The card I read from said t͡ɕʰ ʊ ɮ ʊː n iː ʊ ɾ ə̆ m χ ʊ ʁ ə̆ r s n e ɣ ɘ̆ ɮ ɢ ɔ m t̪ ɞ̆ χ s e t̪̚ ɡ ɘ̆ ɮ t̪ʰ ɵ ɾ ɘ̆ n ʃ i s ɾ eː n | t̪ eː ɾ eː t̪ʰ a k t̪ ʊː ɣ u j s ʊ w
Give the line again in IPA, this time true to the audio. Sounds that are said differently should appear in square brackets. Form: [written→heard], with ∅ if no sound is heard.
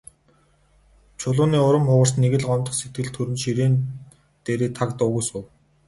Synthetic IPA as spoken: t͡ɕʰ ʊ ɮ ʊː n iː ʊ ɾ ə̆ m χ ʊ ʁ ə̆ r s n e ɣ ɘ̆ ɮ ɢ ɔ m t̪ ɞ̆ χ s e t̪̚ ɡ ɘ̆ ɮ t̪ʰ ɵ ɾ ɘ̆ n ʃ i [s→∅] ɾ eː n | t̪ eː ɾ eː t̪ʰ a k t̪ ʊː ɣ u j s ʊ w